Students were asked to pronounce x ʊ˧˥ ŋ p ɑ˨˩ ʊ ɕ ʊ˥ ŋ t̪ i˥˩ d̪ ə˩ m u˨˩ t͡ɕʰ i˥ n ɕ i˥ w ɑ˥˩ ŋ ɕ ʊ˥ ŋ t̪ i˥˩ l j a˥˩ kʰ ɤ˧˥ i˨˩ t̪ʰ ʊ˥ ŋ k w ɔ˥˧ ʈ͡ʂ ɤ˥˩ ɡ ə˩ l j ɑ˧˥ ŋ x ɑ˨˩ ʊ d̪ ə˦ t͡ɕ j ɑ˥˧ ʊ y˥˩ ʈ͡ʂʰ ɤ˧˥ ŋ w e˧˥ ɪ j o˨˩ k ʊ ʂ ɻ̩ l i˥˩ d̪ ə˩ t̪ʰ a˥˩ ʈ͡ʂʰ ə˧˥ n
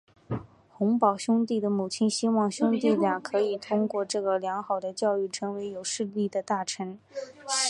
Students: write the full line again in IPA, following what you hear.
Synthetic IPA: x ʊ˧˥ ŋ p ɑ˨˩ ʊ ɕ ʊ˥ ŋ t̪ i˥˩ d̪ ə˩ m u˨˩ t͡ɕʰ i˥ n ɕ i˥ w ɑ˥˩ ŋ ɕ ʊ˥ ŋ t̪ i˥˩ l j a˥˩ kʰ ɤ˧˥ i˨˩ t̪ʰ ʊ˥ ŋ k w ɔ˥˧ ʈ͡ʂ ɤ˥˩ ɡ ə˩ l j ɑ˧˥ ŋ x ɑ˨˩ ʊ d̪ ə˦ t͡ɕ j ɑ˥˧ ʊ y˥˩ ʈ͡ʂʰ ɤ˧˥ ŋ w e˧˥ ɪ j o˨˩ ʊ ʂ ɻ̩ l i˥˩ d̪ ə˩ t̪ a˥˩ ʈ͡ʂʰ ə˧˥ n